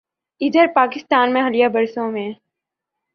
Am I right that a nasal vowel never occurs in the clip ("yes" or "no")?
no